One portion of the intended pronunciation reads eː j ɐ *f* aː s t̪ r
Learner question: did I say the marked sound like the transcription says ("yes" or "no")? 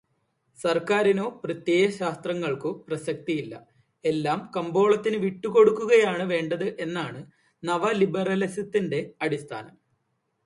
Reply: no